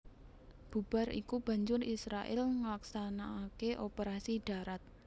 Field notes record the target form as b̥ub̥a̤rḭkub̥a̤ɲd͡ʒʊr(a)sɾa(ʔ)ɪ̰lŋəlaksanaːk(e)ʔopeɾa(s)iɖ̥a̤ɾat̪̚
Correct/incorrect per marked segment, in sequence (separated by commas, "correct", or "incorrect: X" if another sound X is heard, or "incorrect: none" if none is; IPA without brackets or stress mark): incorrect: i, correct, correct, correct